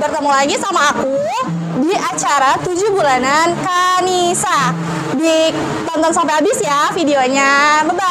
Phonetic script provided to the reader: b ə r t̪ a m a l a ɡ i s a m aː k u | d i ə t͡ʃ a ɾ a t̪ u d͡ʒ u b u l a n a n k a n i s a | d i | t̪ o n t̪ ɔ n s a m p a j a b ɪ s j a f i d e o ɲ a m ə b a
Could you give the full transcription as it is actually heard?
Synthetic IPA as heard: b ə r t̪ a m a l a ɡ i s a m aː k u | d i a t͡ʃ a ɾ a t̪ u d͡ʒ u b u l a n a n k a n i s a | d i | t̪ ɔ n t̪ ɔ n s a m p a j a b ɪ s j a f i d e o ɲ a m ə b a